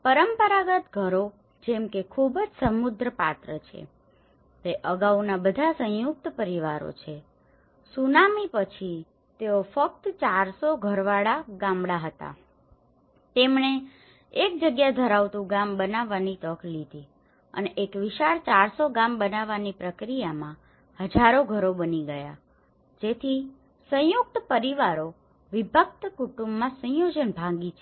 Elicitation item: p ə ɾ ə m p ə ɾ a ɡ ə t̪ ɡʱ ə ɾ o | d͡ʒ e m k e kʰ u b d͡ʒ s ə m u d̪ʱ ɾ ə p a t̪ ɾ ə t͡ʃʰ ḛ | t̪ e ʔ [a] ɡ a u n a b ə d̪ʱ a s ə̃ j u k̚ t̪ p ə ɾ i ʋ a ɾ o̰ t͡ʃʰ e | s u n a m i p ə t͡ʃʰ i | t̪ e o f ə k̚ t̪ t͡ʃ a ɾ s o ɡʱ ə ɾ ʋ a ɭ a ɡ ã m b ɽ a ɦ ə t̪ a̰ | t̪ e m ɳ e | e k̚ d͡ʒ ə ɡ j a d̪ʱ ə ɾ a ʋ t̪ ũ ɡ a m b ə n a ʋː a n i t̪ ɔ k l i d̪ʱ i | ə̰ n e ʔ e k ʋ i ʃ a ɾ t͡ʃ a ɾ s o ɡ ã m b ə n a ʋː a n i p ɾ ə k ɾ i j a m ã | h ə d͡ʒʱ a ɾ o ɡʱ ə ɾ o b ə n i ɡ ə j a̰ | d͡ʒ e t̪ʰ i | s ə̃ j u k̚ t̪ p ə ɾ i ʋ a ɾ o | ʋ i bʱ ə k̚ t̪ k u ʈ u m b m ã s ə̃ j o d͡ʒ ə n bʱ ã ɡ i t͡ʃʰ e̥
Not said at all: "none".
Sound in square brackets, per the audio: ə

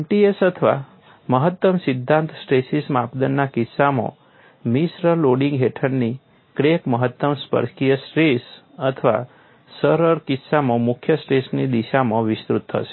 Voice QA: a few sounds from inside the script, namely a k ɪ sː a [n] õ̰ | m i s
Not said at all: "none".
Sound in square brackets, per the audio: m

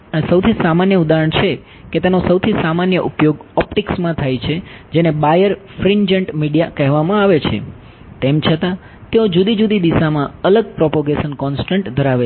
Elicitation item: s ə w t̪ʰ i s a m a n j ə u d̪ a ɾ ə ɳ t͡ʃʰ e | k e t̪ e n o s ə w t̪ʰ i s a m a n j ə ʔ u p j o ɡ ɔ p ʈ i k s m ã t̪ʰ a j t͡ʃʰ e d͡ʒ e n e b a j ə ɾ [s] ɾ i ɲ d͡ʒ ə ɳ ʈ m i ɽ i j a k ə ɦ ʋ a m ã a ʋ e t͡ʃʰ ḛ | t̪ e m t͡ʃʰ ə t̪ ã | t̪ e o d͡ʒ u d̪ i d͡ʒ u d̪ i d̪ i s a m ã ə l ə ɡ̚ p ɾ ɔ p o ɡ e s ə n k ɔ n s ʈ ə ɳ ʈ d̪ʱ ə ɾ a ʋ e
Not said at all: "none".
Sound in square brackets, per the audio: f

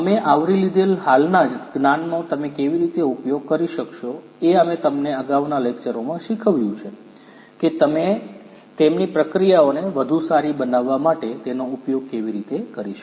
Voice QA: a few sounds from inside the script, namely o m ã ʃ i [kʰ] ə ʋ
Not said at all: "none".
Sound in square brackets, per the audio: kʰ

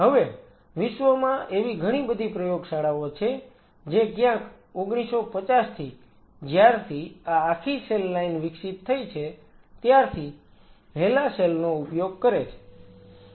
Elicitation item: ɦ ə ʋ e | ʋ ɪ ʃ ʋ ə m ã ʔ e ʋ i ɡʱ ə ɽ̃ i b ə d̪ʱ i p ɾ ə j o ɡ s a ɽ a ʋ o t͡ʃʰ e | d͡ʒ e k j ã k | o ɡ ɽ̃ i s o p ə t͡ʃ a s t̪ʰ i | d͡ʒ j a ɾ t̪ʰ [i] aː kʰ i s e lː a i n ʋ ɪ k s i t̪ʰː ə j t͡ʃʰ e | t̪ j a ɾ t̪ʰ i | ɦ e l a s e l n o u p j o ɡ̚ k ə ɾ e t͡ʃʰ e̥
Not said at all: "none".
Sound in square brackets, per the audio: i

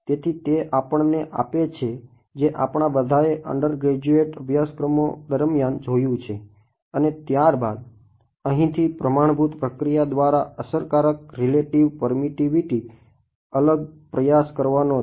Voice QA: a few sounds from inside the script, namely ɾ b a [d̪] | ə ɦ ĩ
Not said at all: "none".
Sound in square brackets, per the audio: d̪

